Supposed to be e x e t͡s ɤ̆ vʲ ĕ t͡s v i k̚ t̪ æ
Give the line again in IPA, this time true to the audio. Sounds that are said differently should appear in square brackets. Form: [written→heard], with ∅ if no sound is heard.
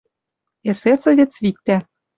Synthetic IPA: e [x→s] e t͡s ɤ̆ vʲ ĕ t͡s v i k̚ t̪ æ